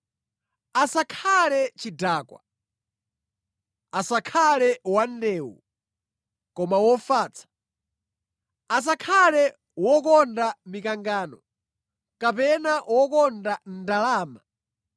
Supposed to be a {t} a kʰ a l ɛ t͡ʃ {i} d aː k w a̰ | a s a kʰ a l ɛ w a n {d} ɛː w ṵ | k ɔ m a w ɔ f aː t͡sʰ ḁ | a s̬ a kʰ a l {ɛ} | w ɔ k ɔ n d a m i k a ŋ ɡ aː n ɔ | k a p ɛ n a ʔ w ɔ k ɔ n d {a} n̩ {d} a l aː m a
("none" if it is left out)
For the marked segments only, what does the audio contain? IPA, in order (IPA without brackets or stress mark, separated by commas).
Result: s, i, d, ɛ, a, d